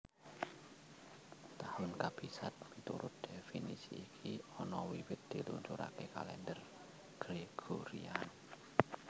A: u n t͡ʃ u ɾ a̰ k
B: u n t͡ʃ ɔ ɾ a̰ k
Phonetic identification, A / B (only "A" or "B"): A